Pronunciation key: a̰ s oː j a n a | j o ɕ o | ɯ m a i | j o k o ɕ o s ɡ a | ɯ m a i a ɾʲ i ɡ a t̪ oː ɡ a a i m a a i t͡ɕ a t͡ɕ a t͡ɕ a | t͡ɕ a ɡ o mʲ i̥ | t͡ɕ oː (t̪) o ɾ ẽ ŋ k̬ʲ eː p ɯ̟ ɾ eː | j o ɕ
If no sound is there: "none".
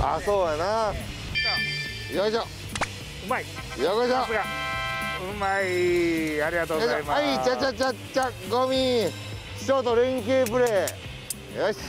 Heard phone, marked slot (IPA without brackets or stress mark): t̪